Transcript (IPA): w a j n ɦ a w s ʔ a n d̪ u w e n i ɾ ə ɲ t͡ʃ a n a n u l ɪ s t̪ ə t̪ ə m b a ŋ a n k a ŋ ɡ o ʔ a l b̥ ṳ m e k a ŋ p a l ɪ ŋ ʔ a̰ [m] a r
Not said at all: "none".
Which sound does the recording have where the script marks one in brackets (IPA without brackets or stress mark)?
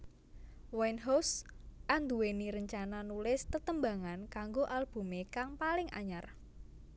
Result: ɲ